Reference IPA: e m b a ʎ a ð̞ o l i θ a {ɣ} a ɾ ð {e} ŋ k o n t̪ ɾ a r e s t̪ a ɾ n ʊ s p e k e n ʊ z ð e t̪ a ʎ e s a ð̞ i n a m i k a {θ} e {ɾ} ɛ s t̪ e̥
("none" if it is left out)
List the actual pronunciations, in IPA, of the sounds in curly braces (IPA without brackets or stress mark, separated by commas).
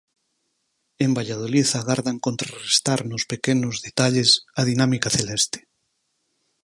ɣ, a, θ, l